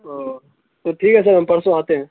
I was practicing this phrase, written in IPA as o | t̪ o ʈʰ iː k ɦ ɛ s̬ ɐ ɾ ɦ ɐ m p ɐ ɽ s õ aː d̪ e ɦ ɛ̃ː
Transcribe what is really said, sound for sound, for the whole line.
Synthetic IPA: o | t̪ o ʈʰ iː k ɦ ɛ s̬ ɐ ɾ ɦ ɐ m p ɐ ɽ s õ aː t̪ e ɦ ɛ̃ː